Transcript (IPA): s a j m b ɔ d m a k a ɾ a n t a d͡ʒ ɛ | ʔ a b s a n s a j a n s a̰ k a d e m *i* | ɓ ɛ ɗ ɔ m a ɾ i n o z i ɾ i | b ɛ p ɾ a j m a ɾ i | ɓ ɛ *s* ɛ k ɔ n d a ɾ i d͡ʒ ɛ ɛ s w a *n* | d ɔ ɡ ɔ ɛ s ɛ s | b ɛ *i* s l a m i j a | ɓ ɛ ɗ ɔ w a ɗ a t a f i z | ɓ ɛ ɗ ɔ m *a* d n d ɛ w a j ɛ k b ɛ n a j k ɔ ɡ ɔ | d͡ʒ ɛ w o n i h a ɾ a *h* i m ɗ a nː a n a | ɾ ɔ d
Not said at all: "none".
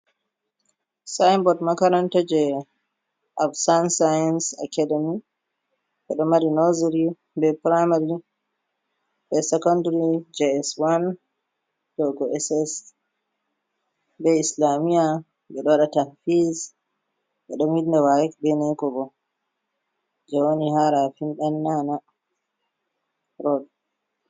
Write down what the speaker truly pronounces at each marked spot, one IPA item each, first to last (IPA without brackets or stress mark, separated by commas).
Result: i, s, n, i, i, f